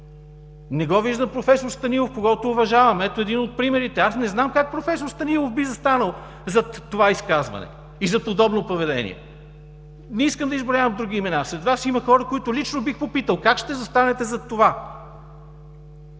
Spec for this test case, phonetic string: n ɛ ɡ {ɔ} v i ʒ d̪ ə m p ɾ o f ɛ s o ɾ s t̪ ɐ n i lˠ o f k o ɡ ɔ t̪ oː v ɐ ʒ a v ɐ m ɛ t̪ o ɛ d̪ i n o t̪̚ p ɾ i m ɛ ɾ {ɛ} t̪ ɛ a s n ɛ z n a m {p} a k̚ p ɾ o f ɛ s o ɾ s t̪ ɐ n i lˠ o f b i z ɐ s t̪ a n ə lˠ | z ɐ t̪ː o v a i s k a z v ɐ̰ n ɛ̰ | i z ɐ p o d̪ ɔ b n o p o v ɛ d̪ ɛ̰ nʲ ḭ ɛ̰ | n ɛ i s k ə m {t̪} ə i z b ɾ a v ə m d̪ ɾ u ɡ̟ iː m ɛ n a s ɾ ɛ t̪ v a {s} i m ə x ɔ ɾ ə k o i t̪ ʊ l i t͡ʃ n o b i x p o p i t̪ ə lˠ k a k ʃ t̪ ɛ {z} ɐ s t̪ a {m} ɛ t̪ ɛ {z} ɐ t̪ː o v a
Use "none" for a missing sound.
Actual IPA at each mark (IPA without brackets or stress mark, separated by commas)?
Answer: ɔ, i, k, d̪, s, z, n, z